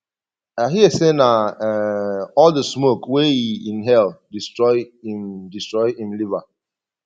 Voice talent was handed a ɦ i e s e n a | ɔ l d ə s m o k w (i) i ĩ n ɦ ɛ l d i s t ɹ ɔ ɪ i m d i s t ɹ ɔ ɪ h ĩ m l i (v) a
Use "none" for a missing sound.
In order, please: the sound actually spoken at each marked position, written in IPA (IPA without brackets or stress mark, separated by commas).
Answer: e, v